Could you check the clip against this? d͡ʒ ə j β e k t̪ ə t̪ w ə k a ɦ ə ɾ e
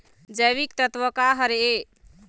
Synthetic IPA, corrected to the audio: d͡ʒ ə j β i k t̪ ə t̪ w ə k a ɦ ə ɾ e